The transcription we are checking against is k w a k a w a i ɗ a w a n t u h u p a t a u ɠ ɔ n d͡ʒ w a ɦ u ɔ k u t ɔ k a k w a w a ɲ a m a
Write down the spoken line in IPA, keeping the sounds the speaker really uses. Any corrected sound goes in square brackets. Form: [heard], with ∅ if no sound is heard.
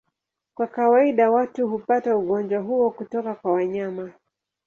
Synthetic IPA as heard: k w a k a w a i ɗ a w a [∅] t u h u p a t a u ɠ ɔ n d͡ʒ w a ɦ u ɔ k u t ɔ k a k w a w a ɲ a m a